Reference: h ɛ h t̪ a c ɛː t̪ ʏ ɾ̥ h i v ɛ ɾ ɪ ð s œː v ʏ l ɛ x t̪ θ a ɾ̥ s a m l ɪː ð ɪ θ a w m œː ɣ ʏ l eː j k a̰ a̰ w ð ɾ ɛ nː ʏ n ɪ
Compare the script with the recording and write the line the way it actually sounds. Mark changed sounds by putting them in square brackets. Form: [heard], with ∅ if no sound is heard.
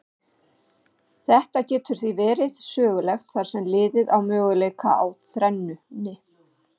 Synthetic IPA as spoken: [θ] ɛ h t̪ a c ɛː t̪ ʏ ɾ̥ [θ] i v [ɛː] ɾ ɪ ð s œː [ɣ] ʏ l ɛ x t̪ θ a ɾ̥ s [ɛ] m l ɪː ð ɪ [ð] a w m œː ɣ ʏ l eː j k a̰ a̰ w [θ] ɾ ɛ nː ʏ n ɪ